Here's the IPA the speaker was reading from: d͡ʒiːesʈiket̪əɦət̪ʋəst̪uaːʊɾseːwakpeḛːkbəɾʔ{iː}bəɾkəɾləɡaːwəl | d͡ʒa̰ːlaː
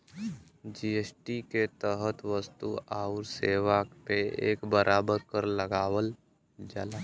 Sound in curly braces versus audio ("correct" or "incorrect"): incorrect